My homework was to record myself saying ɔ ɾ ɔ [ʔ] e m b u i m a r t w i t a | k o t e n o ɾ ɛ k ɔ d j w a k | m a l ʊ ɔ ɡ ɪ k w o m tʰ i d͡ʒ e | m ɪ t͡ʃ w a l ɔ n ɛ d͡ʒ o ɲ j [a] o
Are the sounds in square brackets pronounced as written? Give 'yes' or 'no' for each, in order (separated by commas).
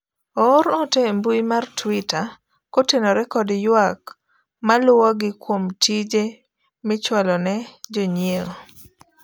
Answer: no, no